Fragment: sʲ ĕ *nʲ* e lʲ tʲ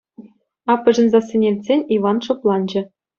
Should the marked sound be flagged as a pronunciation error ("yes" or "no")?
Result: no